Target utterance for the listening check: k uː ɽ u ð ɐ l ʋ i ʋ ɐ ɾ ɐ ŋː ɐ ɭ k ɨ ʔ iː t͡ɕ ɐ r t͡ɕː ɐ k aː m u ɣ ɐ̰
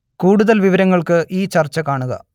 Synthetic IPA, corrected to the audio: k uː ɽ u ð ɐ l ʋ i ʋ ɐ ɾ ɐ ŋː ɐ ɭ k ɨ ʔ iː t͡ɕ ɐ r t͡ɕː ɐ k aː ɳ u ɣ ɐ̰